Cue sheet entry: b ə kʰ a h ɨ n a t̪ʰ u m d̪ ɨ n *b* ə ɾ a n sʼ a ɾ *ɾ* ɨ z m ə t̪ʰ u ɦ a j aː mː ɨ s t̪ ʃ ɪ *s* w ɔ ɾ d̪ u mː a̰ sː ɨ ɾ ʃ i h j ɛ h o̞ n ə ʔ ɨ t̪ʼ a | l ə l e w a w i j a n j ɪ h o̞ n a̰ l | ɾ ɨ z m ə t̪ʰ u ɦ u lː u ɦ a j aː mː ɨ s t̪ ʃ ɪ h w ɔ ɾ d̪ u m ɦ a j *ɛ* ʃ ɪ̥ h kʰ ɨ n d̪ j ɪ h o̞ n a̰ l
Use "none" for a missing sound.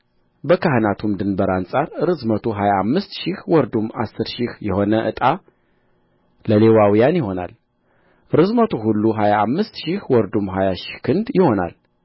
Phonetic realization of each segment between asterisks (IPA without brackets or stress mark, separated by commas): b, ɾ, h, a